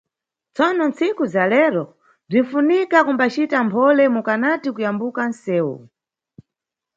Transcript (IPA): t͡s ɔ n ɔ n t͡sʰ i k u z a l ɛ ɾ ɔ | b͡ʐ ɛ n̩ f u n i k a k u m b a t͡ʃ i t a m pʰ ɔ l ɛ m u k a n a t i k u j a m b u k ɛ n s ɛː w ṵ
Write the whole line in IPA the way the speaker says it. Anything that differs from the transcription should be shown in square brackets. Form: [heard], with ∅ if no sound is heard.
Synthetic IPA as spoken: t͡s ɔ n ɔ n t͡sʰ i k u z a l ɛ ɾ ɔ | b͡ʐ [i] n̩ f u n i k a k u m b a t͡ʃ i t a m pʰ ɔ l ɛ m u k a n a t i k u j a m b u k [a] n s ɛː w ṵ